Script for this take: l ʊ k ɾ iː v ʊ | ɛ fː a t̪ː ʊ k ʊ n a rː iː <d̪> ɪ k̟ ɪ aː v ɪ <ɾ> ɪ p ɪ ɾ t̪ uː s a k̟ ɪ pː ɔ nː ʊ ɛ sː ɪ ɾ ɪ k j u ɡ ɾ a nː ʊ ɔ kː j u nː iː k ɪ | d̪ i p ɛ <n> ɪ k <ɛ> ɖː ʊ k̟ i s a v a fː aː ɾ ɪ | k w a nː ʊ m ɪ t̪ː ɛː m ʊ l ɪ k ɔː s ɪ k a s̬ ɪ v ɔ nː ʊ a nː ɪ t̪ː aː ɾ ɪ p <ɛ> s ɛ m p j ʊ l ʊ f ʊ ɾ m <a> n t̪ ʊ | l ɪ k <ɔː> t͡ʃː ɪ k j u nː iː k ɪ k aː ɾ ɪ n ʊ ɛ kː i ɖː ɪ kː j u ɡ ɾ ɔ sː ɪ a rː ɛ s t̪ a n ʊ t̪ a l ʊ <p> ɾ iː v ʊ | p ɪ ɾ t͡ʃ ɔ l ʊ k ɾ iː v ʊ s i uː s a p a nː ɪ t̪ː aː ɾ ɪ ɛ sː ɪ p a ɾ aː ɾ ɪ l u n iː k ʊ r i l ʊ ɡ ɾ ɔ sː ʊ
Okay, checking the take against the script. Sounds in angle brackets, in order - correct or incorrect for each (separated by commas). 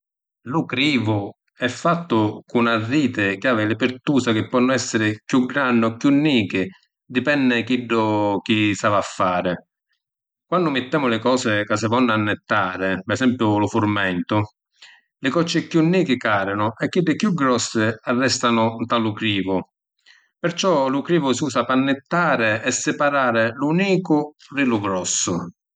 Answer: incorrect, incorrect, incorrect, incorrect, correct, incorrect, incorrect, incorrect